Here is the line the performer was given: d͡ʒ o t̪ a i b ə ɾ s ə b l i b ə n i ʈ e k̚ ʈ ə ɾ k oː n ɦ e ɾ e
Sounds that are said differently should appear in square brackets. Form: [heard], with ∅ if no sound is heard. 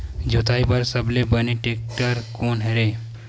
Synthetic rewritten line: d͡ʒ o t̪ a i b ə ɾ s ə b l [e] b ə n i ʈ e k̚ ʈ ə ɾ k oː n ɦ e ɾ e